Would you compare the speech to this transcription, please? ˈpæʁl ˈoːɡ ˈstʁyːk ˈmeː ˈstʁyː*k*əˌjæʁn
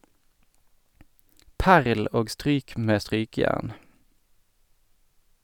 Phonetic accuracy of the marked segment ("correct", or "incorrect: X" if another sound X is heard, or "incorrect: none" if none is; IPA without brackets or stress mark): correct